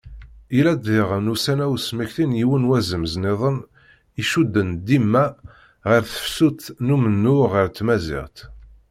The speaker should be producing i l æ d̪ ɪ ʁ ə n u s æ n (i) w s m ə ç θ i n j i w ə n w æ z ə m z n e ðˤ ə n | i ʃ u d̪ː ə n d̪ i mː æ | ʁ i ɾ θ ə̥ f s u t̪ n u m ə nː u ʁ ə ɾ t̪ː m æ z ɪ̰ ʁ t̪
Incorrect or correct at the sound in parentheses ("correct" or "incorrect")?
incorrect